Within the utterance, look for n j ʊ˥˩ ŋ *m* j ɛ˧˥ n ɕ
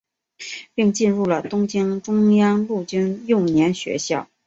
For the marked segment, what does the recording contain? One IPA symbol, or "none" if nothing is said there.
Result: n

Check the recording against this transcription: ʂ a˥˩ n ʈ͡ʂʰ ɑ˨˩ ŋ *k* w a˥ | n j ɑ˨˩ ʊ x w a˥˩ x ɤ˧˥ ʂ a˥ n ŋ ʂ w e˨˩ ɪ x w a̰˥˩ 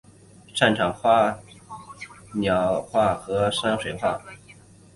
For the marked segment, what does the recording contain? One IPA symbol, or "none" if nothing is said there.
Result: x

